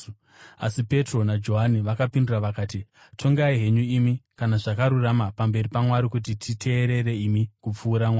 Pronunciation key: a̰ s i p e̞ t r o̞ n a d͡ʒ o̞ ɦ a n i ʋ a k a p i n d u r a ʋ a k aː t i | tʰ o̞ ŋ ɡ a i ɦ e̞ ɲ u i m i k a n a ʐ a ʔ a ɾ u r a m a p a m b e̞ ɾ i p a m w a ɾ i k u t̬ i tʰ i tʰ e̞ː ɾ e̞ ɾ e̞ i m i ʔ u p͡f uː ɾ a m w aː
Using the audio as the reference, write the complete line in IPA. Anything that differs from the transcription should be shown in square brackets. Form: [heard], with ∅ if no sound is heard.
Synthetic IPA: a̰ s i p e̞ t r o̞ n a d͡ʒ o̞ ɦ a n i ʋ a k a p i n d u r a ʋ a k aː t i | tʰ o̞ ŋ ɡ a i ɦ e̞ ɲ u i m i k a n a ʐ a [k] a ɾ u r a m a p a m b e̞ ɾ i p a m w a ɾ i k u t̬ i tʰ i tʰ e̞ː ɾ e̞ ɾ e̞ i m i [k] u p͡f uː ɾ a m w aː